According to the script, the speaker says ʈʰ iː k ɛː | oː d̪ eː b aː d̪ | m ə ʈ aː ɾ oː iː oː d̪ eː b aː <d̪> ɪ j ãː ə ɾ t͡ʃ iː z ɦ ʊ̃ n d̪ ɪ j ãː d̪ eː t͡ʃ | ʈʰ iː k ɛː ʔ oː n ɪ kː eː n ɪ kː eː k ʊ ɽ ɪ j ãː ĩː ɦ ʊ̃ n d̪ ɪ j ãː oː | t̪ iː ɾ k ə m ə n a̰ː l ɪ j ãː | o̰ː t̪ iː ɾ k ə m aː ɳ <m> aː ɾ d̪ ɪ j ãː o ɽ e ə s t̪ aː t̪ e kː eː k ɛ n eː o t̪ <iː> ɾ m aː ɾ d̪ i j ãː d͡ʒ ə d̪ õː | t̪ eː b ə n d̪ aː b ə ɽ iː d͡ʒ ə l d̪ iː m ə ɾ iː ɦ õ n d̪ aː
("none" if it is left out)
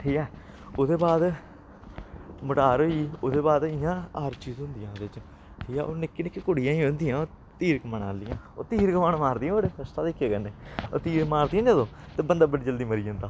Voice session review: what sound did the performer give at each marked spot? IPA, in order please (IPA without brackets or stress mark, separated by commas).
d̪, m, iː